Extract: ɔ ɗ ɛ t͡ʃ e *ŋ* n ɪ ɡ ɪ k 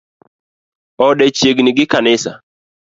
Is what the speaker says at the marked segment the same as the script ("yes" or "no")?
no